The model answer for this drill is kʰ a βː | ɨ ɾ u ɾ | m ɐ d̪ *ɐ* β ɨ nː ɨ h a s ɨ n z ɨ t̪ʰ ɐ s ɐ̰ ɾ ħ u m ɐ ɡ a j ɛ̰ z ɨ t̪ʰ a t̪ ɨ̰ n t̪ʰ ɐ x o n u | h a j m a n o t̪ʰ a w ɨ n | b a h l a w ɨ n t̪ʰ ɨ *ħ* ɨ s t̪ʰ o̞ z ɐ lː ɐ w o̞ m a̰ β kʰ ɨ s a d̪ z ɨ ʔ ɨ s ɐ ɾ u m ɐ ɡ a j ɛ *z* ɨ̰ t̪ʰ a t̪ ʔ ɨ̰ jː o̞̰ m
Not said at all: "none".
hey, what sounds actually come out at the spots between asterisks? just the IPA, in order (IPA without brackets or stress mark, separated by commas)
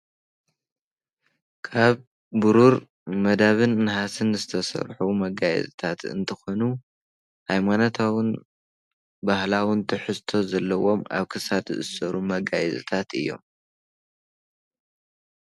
a, ħ, z